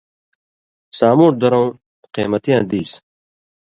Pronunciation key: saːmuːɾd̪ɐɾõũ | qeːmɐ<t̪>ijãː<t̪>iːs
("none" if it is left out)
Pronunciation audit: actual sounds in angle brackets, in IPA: t̪, d̪

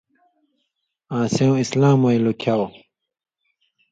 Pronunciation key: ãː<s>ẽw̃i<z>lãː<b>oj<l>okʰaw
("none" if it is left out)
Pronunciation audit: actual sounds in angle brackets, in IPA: s, s, m, l

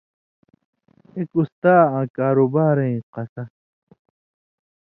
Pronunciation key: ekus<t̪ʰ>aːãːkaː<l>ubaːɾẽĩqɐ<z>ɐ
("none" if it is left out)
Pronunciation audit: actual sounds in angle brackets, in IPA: t̪, ɾ, s

